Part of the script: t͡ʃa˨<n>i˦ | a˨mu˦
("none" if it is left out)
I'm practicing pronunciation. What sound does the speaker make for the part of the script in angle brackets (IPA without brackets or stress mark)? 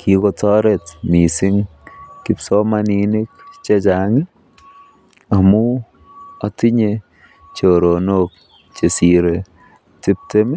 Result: ŋ